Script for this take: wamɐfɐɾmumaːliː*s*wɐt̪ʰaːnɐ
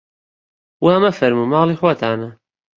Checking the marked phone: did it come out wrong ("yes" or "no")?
yes